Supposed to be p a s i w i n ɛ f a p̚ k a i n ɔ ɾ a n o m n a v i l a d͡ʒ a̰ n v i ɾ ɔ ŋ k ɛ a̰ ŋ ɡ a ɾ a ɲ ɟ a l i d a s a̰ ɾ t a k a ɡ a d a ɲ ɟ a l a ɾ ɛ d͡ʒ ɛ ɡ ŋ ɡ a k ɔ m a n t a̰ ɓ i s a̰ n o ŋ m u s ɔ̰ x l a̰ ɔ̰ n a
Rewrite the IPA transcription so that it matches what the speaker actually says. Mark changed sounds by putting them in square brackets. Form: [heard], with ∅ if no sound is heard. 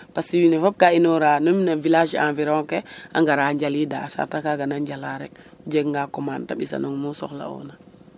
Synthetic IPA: p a s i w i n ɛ f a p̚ k a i n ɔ ɾ a n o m n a v i l a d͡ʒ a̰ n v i ɾ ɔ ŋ k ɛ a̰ ŋ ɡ a ɾ a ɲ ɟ a l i d a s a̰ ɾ t a k a ɡ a [n] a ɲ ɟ a l a ɾ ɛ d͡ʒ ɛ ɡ ŋ ɡ a k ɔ m a n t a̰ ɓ i s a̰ n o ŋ m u s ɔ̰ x l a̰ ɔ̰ n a